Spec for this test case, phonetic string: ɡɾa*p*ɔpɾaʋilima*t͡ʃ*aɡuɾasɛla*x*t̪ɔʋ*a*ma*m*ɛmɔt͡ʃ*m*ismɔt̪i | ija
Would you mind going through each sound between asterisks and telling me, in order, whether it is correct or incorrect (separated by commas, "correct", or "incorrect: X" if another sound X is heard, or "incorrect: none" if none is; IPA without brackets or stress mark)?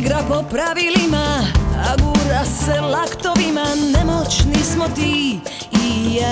correct, incorrect: none, incorrect: k, incorrect: i, incorrect: n, incorrect: n